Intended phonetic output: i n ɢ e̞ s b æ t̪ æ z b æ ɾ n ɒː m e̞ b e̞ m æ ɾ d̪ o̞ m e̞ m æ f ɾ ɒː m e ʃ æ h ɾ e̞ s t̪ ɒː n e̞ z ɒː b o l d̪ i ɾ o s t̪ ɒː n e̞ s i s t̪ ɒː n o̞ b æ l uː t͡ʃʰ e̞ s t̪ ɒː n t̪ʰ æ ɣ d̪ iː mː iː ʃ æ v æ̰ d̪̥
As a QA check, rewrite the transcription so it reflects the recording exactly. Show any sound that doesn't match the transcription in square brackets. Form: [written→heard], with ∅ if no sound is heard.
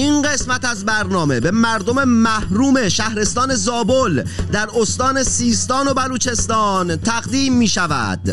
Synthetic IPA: i n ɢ e̞ s [b→m] æ t̪ æ z b æ ɾ n ɒː m e̞ b e̞ m æ ɾ d̪ o̞ m e̞ m æ [f→h] ɾ [ɒː→uː] m e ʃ æ h ɾ e̞ s t̪ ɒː n e̞ z ɒː b o l d̪ [i→æ] ɾ o s t̪ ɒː n e̞ s [i→iː] s t̪ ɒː n o̞ b æ l uː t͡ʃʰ e̞ s t̪ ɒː n t̪ʰ æ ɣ d̪ iː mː iː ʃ æ v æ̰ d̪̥